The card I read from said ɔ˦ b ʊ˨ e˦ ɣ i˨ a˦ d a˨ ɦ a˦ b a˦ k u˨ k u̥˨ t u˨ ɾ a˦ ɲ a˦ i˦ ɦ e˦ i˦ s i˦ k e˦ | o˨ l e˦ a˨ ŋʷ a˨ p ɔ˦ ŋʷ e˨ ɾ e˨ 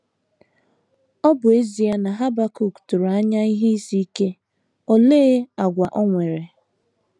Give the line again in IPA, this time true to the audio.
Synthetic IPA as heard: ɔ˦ b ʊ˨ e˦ z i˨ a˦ n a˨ ɦ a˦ b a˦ k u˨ k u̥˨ t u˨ ɾ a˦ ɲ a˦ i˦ ɦ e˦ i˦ s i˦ k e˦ | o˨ l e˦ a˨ ɡʷ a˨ ʔ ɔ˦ ŋʷ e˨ ɾ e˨